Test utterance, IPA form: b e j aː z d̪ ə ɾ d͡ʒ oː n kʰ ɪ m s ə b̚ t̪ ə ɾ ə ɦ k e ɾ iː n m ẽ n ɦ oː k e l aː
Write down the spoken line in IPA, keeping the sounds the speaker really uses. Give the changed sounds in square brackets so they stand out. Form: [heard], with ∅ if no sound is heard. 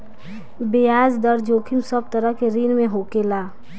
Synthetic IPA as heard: b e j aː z d̪ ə ɾ d͡ʒ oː [∅] kʰ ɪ m s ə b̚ t̪ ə ɾ ə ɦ k e ɾ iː n m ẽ [∅] ɦ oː k e l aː